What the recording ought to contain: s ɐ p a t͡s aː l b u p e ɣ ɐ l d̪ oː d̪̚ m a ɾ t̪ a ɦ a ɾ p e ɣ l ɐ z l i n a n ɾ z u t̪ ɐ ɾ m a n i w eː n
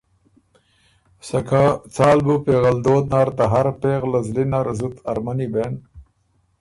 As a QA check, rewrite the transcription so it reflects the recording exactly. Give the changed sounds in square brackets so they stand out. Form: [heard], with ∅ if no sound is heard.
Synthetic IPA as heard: s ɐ [k] a t͡s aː l b u p e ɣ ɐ l d̪ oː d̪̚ [n] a ɾ t̪ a ɦ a ɾ p e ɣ l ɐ z l i n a [∅] ɾ z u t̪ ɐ ɾ m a n i [b] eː n